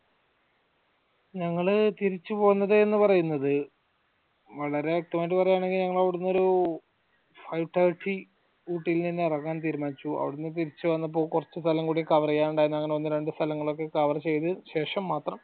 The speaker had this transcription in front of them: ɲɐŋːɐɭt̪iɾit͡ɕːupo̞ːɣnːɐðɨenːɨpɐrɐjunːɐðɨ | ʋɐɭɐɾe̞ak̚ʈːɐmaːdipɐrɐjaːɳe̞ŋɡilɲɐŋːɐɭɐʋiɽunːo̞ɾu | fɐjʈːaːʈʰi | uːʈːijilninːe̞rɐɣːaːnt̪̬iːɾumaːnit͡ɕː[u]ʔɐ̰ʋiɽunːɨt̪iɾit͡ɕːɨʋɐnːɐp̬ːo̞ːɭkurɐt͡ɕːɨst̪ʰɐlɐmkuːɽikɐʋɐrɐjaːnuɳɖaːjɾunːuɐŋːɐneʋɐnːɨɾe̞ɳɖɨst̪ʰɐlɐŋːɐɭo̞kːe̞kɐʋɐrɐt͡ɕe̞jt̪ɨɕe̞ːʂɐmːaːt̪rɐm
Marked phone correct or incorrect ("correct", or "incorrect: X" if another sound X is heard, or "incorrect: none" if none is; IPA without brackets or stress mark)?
correct